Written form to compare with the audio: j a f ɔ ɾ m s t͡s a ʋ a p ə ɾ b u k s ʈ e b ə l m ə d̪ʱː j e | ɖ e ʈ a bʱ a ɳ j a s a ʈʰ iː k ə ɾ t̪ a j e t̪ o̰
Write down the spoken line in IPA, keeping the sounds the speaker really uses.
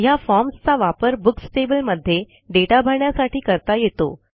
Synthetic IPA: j a f ɔ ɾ m s t͡s a ʋ a p ə ɾ b u k s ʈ e b ə l m ə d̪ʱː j e | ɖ e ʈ a bʱ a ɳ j a s a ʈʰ iː k ə ɾ t̪ a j e t̪ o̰